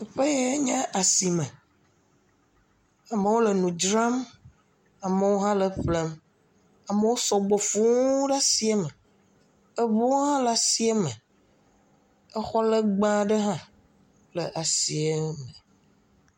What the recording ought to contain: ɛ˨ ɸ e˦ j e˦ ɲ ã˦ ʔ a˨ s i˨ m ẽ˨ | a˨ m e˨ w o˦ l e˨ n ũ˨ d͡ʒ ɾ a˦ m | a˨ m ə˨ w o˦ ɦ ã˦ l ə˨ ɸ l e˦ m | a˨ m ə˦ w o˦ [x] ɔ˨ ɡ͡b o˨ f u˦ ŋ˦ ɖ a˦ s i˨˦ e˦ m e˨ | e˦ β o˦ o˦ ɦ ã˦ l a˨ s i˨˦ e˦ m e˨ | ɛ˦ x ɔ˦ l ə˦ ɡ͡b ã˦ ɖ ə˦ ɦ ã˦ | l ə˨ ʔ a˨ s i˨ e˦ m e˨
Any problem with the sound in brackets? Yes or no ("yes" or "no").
yes